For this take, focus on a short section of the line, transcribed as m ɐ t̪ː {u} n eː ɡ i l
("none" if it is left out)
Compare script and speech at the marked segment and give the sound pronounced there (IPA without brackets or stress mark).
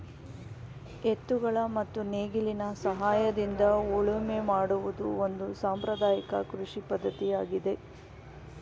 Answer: u